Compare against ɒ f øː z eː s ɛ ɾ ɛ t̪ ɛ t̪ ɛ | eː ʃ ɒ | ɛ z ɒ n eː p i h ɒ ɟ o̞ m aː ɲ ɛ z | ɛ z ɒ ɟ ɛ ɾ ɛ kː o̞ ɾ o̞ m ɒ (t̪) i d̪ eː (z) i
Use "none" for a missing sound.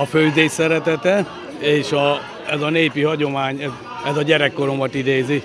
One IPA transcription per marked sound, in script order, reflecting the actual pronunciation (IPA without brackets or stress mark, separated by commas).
t̪, z